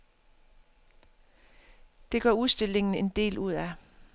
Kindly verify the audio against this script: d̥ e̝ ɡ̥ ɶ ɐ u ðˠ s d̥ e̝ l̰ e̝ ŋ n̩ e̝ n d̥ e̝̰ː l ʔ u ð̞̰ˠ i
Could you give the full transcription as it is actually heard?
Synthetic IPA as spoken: d̥ e̝ ɡ̥ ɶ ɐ u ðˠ s d̥ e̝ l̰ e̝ ŋ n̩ e̝ n d̥ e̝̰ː l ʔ u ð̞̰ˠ æ